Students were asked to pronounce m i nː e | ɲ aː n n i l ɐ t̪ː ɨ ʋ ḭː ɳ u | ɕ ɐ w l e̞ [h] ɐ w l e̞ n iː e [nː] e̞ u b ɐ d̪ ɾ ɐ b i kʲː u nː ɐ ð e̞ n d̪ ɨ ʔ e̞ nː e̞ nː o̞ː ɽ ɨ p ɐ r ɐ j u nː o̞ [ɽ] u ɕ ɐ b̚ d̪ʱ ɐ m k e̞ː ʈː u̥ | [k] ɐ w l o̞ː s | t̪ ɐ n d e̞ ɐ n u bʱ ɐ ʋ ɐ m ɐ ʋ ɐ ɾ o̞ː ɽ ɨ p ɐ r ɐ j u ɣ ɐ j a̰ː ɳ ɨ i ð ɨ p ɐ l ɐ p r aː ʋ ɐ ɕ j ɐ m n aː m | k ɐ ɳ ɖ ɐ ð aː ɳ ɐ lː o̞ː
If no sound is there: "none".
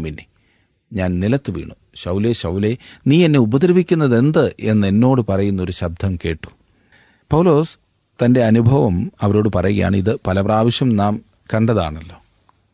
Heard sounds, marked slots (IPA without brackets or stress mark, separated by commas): ɕ, nː, ɾ, p